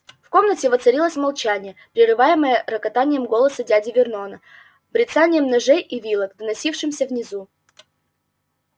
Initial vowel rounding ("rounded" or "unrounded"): rounded